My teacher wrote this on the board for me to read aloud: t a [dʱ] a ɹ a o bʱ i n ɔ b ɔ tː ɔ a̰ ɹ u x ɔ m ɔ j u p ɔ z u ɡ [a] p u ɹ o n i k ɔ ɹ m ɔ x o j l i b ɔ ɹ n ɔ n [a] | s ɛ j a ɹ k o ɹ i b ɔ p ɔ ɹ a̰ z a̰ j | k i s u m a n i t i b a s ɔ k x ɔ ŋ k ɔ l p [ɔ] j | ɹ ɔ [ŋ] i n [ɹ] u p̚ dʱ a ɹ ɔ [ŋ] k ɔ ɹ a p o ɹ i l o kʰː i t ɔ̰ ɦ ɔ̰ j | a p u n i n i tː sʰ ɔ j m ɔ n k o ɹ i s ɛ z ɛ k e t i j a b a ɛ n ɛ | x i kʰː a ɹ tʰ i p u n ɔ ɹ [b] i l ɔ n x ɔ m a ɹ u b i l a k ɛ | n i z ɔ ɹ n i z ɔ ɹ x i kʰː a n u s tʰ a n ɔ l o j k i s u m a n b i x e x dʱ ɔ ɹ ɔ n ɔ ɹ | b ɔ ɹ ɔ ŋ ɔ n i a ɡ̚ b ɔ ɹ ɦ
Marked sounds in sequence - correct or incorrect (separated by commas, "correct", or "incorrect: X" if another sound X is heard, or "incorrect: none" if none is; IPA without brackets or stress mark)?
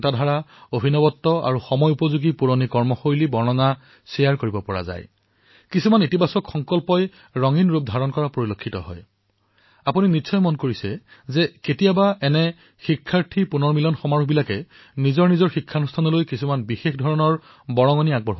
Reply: correct, incorrect: i, correct, correct, correct, correct, incorrect: n, incorrect: m